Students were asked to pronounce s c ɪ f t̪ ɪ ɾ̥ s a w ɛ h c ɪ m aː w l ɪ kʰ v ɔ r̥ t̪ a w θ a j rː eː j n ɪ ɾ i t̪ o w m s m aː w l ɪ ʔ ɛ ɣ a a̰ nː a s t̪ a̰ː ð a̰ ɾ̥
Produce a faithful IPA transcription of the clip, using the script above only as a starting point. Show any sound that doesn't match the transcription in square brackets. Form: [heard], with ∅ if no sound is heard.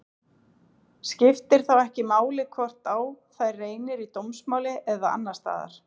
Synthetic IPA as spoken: s c ɪ f t̪ ɪ ɾ̥ [θ] a w ɛ h c ɪ m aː w l ɪ kʰ v ɔ r̥ t̪ a w θ a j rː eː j n ɪ ɾ i t̪ o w m s m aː w l ɪ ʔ ɛ [ð] a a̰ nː a s t̪ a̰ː ð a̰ ɾ̥